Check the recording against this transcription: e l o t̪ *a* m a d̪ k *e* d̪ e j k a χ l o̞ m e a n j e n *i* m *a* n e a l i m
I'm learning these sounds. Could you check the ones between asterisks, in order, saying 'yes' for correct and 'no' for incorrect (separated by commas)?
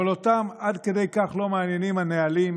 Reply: yes, yes, yes, yes